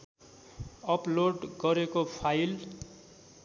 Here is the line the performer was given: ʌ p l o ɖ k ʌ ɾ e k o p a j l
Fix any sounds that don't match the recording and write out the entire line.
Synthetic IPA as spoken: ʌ p l o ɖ ɡ ʌ ɾ e k o pʰ a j l

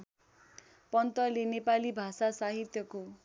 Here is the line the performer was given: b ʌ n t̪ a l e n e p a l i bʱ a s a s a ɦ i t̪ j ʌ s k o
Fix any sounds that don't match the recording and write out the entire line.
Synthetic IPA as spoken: p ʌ n t̪ ʌ l e n e p a l i bʱ a s a s a ɦ i t̪ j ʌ k o

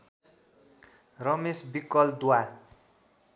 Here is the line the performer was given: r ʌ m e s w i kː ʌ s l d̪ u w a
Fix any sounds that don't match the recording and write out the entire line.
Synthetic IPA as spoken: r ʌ m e s b i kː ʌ l d̪ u w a

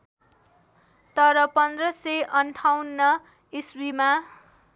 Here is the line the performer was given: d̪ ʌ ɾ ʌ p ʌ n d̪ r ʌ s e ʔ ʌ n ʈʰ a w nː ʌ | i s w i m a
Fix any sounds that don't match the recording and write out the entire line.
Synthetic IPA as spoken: t̪ ʌ ɾ ʌ p ʌ n d̪ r ʌ s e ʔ ʌ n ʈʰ a w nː ʌ | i s w i m a

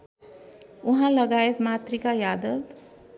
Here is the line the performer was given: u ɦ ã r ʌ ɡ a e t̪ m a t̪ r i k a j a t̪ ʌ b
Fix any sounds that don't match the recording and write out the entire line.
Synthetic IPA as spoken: u ɦ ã l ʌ ɡ a e t̪ m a t̪ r i k a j a d̪ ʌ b

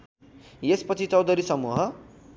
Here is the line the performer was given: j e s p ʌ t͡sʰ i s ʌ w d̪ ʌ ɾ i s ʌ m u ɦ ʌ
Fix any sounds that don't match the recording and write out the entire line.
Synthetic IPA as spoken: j e s p ʌ t͡sʰ i t͡s ʌ w d̪ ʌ ɾ i s ʌ m u ɦ ʌ

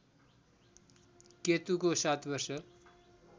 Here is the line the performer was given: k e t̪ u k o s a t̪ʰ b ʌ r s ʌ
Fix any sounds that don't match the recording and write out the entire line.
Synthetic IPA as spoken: k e t̪ u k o s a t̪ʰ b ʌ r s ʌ

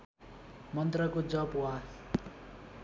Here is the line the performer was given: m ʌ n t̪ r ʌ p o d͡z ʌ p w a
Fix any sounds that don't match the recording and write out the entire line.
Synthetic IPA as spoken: m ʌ n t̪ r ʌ k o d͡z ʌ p w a

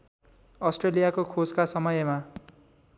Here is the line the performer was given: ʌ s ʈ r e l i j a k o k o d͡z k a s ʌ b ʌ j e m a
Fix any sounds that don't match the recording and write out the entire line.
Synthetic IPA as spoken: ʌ s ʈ r e l i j a k o kʰ o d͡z k a s ʌ m ʌ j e m a

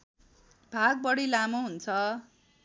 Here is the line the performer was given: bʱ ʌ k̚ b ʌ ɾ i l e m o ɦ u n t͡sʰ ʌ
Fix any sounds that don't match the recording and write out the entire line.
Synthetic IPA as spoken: bʱ a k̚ b ʌ ɽ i l a m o ɦ u n t͡sʰ ʌ

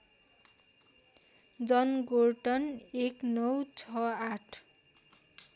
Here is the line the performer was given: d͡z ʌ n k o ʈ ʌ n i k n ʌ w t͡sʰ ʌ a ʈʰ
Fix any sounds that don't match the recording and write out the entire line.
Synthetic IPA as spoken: d͡z ʌ n ɡ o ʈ ʌ n e k n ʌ w t͡sʰ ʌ a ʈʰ

